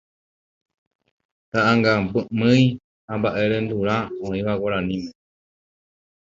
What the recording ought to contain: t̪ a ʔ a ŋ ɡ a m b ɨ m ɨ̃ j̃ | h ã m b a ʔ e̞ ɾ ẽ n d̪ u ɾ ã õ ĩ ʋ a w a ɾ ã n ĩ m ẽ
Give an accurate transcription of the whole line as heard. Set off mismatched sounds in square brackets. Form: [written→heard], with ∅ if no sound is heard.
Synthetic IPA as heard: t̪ a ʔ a ŋ ɡ a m b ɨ m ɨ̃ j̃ | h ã m b a ʔ e̞ ɾ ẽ n d̪ u ɾ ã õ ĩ ʋ a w a ɾ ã n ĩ m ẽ

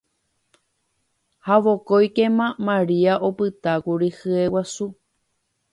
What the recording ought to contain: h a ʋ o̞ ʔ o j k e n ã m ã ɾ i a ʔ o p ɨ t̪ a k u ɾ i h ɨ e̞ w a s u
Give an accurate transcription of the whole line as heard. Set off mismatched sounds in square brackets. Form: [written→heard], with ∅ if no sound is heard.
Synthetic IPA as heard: h a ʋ o̞ [ʔ→k] o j k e [n→m] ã m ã ɾ i a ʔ o p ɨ t̪ a k u ɾ i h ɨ e̞ w a s u

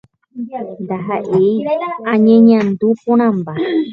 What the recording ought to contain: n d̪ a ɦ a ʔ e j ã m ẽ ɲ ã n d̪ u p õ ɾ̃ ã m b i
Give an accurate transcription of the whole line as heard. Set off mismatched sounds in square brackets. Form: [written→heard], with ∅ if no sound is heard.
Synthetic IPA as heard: n d̪ a ɦ a ʔ e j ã [m→ɲ] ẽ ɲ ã n d̪ u p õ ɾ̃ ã m b [i→a]

